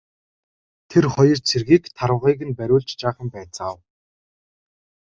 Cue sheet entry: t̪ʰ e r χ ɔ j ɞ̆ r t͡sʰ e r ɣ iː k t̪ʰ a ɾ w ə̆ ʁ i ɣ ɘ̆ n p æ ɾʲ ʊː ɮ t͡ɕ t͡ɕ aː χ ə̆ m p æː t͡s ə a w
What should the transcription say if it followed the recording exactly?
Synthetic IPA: t̪ʰ e r χ ɔ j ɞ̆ r t͡sʰ e r ɣ iː k t̪ʰ a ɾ w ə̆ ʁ iː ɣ ɘ̆ n p æ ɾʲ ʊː ɮ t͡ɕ t͡ɕ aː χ ə̆ m p æː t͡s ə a w